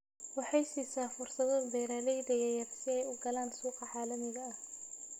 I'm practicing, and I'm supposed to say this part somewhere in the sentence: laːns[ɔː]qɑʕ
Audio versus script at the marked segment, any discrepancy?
yes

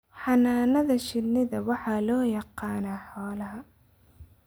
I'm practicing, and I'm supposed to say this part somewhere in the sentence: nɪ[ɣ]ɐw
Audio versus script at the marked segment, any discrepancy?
yes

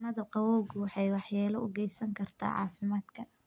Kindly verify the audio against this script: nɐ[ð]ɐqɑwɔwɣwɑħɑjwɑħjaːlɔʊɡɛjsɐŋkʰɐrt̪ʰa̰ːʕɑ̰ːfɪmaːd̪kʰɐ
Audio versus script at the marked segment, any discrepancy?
no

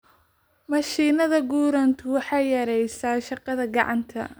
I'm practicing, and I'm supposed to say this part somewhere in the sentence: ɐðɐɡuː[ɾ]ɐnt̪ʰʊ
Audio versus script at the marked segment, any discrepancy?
no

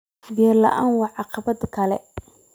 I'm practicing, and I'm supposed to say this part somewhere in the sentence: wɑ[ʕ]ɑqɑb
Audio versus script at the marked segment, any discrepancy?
no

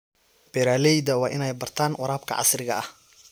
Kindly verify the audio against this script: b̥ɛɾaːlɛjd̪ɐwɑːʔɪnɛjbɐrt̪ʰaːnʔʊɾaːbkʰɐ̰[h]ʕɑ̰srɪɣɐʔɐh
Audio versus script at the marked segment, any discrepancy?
yes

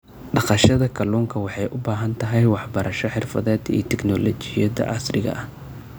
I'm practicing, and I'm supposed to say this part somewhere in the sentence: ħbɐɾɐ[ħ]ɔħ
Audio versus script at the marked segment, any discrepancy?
yes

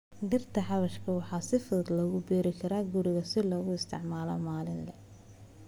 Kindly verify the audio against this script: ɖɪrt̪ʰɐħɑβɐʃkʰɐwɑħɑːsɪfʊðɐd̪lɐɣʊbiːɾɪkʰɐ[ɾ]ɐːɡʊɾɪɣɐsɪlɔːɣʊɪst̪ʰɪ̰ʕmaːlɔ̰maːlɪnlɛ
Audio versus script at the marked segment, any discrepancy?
no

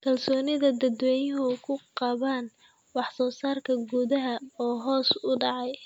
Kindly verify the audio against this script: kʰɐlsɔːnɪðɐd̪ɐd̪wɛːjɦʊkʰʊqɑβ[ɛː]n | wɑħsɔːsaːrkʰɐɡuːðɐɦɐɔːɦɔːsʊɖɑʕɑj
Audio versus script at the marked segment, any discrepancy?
yes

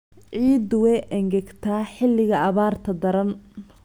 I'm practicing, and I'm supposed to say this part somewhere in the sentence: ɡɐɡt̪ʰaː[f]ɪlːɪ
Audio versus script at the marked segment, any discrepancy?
yes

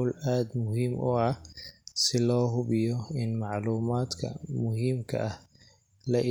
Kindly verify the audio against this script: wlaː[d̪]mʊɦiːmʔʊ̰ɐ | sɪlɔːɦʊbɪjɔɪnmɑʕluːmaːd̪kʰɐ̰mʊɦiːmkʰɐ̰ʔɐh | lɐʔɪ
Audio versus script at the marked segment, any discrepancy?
no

